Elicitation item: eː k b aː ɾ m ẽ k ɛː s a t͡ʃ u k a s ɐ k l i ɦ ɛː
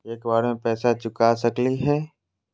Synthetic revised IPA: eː k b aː ɾ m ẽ p ɛː s a t͡ʃ ʊ k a s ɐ k l i ɦ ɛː